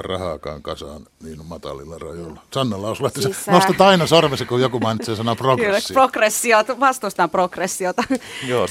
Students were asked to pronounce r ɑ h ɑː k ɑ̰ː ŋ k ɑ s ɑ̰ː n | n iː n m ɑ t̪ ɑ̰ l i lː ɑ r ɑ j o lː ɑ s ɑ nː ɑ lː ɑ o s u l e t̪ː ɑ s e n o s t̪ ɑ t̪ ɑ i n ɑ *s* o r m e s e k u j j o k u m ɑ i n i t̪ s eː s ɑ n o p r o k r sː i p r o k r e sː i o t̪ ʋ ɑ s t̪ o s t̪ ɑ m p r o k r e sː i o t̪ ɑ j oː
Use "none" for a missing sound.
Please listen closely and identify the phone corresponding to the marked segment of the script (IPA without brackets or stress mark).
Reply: s